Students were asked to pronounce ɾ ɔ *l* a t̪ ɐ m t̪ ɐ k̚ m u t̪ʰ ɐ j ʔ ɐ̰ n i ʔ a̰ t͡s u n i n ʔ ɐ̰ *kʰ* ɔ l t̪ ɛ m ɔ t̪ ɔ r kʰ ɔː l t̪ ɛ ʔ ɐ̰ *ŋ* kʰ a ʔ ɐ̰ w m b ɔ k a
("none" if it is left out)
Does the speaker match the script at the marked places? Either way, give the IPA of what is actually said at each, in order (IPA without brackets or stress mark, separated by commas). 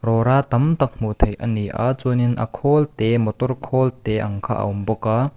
ɾ, kʰ, ŋ